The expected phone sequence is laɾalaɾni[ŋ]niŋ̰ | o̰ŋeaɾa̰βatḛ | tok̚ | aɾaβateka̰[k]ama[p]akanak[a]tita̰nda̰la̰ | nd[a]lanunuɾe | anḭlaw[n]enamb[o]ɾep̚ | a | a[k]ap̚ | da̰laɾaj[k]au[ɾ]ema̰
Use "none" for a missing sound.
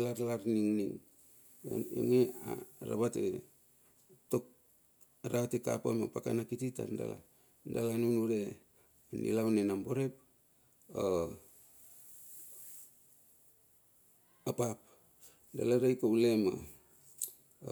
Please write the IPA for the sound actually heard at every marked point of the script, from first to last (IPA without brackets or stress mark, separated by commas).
ŋ, p, p, i, a, n, o, p, k, l